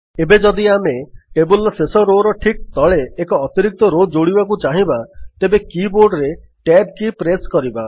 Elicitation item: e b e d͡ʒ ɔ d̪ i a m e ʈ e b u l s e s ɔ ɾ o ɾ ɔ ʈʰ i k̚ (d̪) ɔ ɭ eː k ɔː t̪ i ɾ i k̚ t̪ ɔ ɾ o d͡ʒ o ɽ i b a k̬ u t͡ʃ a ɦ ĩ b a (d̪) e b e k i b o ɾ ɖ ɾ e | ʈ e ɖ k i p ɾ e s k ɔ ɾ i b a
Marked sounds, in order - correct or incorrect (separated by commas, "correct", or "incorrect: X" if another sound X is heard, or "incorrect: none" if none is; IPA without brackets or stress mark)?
incorrect: t̪, incorrect: t̪